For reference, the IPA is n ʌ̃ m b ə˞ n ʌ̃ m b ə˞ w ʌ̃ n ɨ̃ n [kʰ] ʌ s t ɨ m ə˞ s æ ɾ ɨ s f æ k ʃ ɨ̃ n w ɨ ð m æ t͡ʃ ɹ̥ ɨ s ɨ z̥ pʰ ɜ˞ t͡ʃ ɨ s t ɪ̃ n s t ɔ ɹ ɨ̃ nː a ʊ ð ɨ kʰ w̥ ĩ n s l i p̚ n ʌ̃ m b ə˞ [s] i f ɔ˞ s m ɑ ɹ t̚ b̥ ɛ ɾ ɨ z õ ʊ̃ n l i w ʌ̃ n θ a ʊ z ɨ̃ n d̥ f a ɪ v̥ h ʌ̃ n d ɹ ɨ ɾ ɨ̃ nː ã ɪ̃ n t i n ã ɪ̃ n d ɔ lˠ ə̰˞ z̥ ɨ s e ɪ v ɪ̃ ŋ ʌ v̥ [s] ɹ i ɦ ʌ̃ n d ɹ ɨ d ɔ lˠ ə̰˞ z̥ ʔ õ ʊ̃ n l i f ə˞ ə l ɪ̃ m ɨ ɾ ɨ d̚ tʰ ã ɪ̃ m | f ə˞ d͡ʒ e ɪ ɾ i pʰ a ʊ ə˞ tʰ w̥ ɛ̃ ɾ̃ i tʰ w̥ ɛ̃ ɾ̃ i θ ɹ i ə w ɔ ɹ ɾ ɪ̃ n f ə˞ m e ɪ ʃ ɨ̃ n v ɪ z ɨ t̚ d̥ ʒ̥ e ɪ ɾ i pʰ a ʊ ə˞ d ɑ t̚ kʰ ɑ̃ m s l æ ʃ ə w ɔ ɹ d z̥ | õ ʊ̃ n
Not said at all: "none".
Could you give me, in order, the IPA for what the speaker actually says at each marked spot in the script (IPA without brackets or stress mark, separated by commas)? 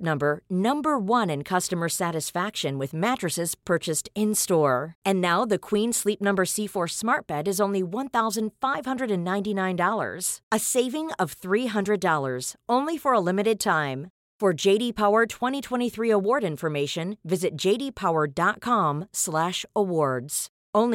kʰ, s, θ